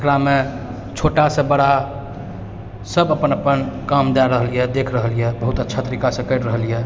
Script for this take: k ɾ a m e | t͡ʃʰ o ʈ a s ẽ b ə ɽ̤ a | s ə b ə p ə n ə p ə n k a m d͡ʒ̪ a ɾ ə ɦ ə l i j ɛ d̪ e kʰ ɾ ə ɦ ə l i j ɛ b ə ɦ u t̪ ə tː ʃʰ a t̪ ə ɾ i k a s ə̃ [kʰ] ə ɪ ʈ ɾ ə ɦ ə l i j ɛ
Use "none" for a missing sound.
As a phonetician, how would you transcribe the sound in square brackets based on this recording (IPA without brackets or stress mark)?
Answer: k